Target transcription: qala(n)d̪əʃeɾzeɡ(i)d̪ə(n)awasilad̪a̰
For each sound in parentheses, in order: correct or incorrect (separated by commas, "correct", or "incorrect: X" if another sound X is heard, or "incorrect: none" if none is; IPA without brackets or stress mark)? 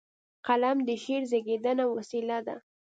incorrect: m, incorrect: e, correct